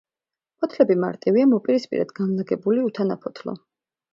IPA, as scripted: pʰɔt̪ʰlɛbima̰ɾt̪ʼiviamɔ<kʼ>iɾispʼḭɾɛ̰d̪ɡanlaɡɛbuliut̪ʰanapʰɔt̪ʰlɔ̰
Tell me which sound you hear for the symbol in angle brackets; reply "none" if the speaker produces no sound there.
pʼ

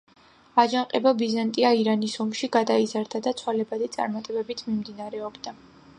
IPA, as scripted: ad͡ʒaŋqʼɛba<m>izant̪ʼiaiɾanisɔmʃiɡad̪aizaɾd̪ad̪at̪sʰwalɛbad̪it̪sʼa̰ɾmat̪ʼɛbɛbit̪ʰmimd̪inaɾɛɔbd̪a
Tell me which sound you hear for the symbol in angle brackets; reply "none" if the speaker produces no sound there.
b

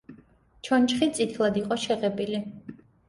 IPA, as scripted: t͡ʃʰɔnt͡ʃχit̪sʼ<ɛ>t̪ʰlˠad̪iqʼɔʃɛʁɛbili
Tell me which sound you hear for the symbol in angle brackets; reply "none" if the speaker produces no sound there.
i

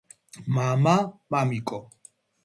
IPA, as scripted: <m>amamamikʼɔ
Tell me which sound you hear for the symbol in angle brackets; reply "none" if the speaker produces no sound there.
m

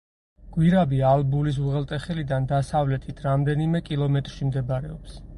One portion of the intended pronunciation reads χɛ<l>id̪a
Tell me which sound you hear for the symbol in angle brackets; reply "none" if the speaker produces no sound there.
l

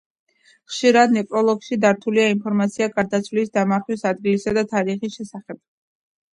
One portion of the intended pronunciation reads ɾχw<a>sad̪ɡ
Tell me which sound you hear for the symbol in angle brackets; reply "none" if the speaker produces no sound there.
i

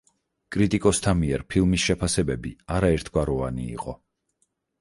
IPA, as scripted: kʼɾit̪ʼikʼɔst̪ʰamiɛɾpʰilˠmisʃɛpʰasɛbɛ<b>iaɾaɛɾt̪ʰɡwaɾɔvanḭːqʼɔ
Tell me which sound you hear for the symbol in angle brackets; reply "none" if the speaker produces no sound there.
b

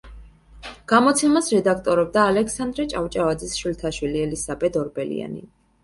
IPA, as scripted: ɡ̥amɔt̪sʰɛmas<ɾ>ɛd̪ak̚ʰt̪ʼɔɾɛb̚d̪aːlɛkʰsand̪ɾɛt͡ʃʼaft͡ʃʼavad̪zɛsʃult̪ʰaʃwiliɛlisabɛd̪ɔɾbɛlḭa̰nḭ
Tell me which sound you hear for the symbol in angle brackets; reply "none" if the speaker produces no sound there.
ɾ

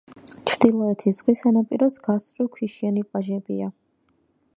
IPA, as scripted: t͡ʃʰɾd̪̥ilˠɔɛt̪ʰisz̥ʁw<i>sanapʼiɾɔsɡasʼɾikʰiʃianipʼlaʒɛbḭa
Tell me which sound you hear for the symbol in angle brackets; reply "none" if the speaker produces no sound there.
i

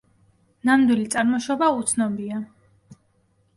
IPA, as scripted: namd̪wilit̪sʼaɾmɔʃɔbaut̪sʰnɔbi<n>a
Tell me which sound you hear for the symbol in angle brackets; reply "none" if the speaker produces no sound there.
none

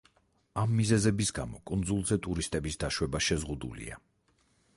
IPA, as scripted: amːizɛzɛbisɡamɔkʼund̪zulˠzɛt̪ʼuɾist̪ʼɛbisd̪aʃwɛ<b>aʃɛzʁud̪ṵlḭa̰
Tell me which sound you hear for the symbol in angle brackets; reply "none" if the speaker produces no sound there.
b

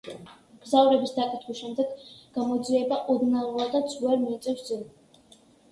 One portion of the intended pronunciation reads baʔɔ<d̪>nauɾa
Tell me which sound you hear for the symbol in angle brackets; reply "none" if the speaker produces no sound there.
d̪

